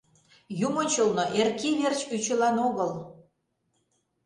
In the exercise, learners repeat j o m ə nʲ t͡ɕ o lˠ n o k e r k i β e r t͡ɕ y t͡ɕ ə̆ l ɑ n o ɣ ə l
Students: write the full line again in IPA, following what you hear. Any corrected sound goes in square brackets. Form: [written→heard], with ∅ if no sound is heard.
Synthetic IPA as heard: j [o→u] m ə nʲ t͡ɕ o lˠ n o [k→ʔ] e r k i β e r t͡ɕ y t͡ɕ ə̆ l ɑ n o ɣ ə l